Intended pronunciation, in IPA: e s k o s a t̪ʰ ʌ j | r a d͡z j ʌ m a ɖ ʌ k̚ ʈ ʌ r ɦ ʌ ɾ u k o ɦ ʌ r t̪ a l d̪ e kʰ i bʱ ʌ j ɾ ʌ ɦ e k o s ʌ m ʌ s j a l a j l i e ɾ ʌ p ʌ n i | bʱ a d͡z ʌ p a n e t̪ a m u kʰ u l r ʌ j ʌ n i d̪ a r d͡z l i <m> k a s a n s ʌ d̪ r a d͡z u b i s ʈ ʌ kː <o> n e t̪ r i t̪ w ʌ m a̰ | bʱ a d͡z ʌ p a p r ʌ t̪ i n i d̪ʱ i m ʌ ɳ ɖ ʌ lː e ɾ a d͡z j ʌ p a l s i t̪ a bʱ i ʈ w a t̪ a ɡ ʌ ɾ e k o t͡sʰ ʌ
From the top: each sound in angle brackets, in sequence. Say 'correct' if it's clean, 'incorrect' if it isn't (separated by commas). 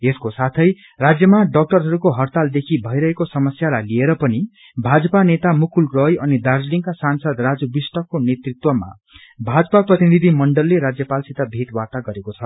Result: incorrect, correct